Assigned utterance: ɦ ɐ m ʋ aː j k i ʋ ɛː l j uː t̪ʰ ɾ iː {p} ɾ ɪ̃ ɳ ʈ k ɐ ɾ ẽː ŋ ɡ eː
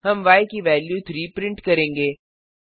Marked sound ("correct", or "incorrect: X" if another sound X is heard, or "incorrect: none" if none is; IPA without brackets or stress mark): correct